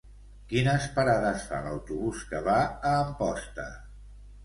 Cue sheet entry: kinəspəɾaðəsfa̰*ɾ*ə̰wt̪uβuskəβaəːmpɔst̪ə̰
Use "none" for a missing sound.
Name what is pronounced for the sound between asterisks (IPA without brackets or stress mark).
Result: l